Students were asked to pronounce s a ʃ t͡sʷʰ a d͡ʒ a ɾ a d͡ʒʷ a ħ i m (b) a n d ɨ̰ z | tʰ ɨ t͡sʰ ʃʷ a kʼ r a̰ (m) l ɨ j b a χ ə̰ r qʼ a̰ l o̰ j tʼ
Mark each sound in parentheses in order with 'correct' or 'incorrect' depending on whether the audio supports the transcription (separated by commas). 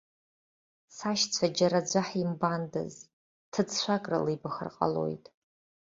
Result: correct, incorrect